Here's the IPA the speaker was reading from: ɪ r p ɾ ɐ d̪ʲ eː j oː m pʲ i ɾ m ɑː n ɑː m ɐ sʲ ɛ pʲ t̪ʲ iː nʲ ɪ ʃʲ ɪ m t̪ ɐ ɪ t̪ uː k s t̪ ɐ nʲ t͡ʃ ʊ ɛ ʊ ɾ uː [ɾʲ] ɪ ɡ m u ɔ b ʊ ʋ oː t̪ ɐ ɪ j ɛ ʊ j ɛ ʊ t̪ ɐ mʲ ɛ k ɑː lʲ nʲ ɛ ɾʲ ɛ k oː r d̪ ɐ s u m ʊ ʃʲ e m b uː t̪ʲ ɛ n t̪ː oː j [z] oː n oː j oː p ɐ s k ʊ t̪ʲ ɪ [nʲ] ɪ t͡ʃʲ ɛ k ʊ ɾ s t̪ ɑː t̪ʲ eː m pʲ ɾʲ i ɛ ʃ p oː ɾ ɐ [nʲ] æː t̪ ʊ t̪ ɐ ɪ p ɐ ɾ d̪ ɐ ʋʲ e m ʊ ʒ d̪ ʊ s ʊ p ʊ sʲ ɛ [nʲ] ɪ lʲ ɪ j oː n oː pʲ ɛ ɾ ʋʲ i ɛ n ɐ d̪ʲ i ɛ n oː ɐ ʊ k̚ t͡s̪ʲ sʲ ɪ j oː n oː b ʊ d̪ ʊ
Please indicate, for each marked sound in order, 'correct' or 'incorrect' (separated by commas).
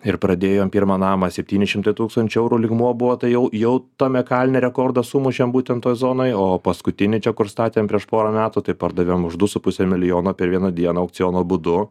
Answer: incorrect, correct, correct, incorrect, incorrect